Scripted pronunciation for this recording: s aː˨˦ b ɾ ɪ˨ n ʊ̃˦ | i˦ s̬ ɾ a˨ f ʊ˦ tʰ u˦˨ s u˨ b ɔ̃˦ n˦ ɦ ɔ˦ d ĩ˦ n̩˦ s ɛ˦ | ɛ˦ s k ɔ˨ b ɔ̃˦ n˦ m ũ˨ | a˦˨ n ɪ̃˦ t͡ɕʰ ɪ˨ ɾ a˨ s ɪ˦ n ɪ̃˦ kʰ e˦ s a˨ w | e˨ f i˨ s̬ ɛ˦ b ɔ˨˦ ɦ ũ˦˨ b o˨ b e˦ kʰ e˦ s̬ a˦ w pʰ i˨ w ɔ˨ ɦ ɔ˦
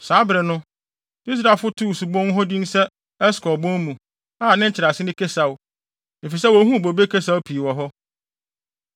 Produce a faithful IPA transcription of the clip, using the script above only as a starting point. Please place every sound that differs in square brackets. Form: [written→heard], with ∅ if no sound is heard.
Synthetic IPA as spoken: s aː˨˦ b ɾ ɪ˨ n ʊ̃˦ | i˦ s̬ ɾ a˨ f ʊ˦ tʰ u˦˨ s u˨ b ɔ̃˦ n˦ ɦ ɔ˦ d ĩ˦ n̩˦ s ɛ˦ | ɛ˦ s k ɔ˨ b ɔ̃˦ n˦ m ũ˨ | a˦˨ n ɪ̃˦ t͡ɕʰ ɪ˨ ɾ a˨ s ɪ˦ n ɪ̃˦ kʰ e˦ s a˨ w | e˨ f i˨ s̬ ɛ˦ [b→w] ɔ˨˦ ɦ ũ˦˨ b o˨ b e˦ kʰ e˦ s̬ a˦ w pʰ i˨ w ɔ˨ ɦ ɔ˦